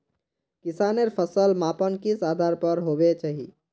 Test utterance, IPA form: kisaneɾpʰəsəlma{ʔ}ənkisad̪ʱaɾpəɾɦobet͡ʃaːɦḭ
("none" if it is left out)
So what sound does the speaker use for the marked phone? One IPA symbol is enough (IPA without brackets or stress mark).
p